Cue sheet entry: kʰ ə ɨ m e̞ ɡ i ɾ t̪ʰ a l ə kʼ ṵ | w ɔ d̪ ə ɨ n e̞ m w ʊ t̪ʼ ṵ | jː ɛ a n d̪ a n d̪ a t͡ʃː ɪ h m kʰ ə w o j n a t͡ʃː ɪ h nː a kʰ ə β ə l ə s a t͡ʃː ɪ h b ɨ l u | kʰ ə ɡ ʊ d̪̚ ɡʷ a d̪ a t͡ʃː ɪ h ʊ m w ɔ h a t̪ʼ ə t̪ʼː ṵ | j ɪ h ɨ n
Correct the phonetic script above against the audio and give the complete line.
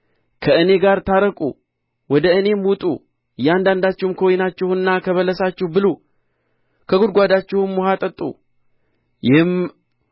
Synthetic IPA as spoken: kʰ ə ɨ n e̞ ɡ a ɾ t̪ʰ a ɾ ə kʼ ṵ | w ɔ d̪ ə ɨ n e̞ m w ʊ t̪ʼ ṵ | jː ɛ a n d̪ a n d̪ a t͡ʃː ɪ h m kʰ ə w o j n a t͡ʃː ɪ h nː a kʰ ə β ə l ə s a t͡ʃː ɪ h b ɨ l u | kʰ ə ɡ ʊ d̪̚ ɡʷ a d̪ a t͡ʃː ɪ h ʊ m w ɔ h a t̪ʼ ə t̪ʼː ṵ | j ɪ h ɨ m